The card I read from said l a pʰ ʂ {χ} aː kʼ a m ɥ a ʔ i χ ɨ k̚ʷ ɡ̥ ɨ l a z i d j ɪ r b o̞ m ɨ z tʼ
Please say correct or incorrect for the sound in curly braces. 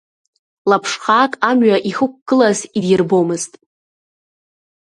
correct